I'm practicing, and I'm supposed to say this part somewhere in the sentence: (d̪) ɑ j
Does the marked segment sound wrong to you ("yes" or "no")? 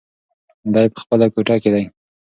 no